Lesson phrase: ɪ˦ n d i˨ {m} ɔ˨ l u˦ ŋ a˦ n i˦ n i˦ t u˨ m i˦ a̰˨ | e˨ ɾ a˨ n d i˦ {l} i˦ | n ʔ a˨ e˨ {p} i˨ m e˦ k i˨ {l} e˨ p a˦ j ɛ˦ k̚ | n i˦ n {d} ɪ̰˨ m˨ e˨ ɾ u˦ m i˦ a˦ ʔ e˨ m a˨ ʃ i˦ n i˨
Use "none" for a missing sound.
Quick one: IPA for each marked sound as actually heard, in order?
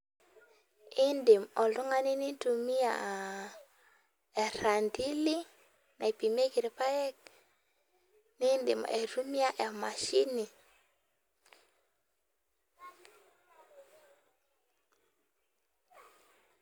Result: m, l, p, ɾ, d

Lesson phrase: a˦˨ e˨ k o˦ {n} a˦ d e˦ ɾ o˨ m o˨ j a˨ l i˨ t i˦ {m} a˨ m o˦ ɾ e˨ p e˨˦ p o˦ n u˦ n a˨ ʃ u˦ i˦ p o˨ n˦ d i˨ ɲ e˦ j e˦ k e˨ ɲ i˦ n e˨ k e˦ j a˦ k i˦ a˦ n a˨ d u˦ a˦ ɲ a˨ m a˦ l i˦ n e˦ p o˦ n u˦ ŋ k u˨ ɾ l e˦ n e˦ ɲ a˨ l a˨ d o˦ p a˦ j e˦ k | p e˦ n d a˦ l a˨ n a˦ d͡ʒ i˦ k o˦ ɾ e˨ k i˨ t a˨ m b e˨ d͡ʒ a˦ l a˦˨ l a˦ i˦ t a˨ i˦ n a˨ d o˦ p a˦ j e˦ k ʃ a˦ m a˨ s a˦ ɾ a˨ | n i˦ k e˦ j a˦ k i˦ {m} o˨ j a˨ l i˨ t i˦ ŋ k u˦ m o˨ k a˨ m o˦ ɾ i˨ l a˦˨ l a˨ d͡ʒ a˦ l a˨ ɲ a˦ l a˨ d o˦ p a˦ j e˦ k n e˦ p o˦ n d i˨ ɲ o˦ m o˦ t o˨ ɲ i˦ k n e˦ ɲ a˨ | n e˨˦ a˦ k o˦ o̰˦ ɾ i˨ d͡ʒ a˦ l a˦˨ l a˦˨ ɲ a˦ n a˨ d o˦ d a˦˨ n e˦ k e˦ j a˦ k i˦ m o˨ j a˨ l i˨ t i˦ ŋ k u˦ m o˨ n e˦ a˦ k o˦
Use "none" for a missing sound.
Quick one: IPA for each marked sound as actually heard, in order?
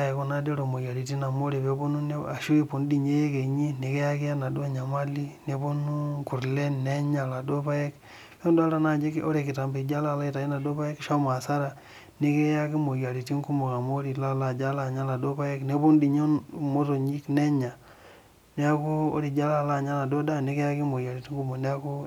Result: n, n, m

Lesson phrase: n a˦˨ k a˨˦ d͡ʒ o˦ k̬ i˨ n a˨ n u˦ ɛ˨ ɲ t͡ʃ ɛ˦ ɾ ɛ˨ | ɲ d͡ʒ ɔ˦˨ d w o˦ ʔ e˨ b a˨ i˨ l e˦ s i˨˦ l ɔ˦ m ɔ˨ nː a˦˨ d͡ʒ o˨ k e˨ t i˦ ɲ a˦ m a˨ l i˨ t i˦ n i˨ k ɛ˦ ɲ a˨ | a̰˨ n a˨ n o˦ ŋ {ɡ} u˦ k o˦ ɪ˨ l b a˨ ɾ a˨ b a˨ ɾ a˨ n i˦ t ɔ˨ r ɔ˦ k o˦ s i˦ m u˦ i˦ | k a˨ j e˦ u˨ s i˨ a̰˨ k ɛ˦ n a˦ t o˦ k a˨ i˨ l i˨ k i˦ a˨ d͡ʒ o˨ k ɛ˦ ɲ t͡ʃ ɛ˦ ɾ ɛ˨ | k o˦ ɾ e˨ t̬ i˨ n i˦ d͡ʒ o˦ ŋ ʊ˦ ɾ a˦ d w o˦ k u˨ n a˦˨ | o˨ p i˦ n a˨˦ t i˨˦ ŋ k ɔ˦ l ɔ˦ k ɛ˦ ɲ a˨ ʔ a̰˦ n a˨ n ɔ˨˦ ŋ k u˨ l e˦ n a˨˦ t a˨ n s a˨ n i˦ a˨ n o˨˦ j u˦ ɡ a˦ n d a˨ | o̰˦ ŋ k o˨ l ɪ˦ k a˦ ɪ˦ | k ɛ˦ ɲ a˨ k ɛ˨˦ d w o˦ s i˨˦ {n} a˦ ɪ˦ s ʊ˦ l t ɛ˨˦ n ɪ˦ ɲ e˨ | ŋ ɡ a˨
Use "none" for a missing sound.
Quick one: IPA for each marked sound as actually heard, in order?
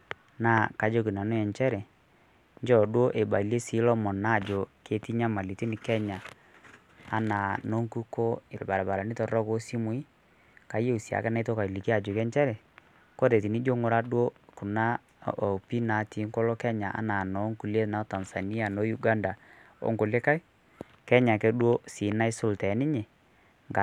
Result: k, n

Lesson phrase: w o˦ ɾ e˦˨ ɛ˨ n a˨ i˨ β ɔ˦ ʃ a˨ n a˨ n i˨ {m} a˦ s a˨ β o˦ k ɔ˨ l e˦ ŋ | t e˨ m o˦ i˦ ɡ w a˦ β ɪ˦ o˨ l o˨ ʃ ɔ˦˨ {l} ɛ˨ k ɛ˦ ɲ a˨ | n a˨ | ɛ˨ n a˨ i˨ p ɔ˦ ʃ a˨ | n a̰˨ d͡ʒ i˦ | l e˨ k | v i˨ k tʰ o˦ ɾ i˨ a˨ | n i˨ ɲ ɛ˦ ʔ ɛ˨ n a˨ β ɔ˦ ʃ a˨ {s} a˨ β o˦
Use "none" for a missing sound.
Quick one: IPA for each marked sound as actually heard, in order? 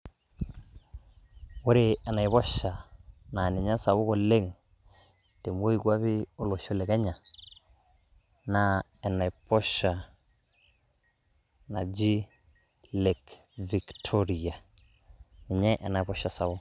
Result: ɲ, l, s

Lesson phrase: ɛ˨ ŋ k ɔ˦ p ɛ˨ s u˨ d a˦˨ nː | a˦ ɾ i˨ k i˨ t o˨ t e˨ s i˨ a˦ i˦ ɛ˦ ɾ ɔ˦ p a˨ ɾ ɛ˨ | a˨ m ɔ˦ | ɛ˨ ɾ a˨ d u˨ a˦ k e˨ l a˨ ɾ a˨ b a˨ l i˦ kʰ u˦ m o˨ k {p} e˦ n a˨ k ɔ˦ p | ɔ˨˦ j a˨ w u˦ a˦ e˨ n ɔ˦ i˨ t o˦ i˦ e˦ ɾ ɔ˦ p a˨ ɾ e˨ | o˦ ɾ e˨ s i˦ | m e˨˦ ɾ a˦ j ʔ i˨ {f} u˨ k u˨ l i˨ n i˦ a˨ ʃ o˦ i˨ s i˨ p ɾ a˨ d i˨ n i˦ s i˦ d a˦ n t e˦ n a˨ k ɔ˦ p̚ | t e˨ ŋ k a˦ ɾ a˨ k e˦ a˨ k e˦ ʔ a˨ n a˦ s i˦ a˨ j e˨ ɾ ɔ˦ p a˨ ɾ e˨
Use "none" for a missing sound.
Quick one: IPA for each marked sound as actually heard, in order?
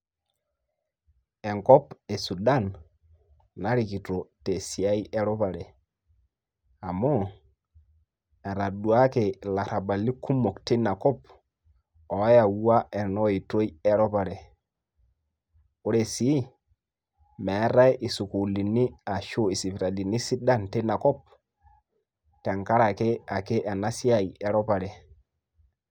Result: t, s

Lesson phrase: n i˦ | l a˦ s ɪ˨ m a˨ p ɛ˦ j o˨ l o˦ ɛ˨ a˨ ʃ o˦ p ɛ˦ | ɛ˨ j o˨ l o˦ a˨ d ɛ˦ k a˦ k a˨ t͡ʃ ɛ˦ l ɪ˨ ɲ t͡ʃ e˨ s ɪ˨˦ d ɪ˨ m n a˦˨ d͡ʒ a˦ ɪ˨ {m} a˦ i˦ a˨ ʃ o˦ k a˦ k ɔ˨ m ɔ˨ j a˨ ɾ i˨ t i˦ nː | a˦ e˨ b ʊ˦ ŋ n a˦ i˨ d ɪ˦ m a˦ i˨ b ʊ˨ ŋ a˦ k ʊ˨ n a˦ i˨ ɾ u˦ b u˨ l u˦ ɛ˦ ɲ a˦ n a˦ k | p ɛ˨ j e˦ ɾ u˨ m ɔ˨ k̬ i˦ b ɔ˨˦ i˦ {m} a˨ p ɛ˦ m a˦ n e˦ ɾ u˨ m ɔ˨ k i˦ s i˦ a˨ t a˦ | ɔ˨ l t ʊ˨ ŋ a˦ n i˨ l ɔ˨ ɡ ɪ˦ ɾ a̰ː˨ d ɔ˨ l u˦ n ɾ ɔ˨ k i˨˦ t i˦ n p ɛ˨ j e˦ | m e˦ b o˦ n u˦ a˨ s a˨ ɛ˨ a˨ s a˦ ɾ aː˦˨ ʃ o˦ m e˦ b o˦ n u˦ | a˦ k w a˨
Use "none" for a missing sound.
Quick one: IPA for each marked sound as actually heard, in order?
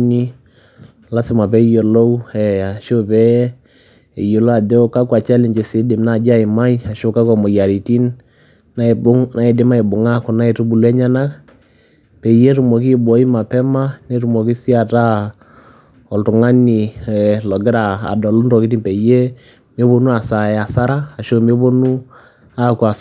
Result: m, m

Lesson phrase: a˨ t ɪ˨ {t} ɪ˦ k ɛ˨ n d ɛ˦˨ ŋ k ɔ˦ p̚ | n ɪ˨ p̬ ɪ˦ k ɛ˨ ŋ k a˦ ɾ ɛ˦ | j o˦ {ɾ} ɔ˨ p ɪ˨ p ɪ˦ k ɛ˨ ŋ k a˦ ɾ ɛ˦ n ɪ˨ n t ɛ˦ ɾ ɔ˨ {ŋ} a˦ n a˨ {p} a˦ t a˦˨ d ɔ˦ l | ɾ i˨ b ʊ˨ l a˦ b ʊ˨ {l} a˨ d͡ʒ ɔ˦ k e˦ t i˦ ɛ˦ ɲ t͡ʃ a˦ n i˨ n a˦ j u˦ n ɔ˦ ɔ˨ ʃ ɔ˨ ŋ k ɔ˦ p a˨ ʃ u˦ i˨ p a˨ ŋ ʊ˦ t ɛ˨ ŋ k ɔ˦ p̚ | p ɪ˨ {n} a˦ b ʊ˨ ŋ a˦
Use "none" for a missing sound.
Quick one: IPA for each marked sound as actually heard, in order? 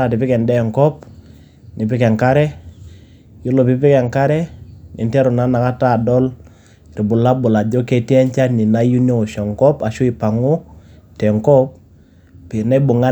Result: p, l, n, k, l, n

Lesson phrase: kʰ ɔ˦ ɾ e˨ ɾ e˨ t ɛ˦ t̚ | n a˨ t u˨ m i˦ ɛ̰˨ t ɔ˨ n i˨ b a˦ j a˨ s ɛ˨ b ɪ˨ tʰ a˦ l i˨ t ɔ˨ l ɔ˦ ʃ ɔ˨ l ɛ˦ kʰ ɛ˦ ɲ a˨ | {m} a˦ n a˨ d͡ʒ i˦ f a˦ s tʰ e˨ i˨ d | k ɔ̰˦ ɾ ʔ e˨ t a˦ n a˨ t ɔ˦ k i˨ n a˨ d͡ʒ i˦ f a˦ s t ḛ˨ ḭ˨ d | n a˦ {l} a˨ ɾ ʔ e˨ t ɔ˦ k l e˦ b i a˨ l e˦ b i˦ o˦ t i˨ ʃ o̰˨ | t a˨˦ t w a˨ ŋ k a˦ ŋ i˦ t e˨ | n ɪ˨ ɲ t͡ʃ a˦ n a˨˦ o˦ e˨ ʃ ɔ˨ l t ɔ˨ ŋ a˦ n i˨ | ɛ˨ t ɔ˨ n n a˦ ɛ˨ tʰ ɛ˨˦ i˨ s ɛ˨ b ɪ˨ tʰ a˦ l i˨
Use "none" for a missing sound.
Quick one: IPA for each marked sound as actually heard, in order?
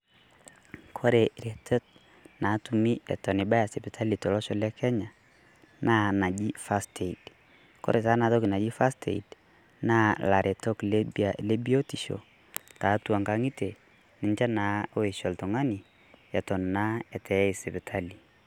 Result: n, l

